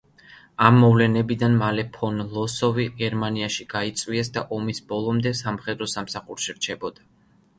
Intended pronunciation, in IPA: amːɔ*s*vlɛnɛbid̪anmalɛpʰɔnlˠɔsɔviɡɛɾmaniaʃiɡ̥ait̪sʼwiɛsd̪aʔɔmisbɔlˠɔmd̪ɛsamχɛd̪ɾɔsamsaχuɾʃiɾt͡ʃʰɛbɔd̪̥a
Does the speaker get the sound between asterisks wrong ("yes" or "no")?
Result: yes